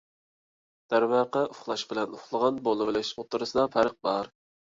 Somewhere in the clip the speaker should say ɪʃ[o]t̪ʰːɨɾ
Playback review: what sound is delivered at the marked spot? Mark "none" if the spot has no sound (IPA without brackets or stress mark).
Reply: o